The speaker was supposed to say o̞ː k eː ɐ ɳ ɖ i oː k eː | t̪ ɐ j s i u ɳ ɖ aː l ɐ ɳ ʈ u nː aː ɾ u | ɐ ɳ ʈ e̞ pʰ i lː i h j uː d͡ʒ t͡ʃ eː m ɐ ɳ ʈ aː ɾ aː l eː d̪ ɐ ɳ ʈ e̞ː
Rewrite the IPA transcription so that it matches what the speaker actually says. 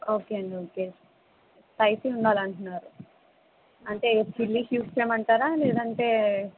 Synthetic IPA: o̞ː k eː ɐ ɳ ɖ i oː k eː | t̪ ɐ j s i u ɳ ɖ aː l ɐ ɳ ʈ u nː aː ɾ u | ɐ ɳ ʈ e̞ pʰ i lː i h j uː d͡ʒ t͡ʃ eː m ɐ ɳ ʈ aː ɾ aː l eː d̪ ɐ ɳ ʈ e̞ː

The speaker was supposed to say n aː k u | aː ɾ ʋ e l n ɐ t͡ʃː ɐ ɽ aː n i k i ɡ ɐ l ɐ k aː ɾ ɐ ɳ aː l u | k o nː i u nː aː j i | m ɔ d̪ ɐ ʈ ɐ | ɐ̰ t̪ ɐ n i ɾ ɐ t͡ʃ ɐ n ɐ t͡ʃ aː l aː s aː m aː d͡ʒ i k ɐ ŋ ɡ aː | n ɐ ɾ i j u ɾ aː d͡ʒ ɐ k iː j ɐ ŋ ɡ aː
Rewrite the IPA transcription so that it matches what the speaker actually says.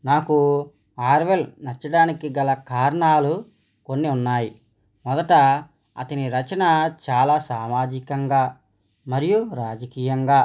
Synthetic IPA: n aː k u | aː ɾ ʋ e l n ɐ t͡ʃː ɐ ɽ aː n i k i ɡ ɐ l ɐ k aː ɾ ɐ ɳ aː l u | k o nː i u nː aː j i | m ɔ d̪ ɐ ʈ ɐ | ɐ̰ t̪ ɐ n i ɾ ɐ t͡ʃ ɐ n ɐ t͡ʃ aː l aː s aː m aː d͡ʒ i k ɐ ŋ ɡ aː | m ɐ ɾ i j u ɾ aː d͡ʒ ɐ k iː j ɐ ŋ ɡ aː

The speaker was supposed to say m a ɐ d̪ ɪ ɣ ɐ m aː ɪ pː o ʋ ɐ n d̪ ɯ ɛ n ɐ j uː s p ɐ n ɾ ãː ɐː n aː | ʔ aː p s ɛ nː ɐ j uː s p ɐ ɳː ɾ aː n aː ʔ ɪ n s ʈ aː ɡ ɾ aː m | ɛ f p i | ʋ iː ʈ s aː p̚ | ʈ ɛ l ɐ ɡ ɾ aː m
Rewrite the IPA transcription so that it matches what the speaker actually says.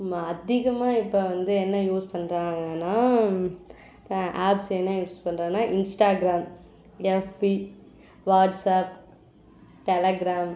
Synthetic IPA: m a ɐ d̪ ɪ ɣ ɐ m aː ɪ pː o ʋ ɐ n d̪ ɯ ɛ nː ɐ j uː s p ɐ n ɾ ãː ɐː n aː | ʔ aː p s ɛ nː ɐ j uː s p ɐ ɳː ɾ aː n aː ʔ ɪ n s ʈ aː ɡ ɾ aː m | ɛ f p i | ʋ aː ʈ s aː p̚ | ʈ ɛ l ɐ ɡ ɾ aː m

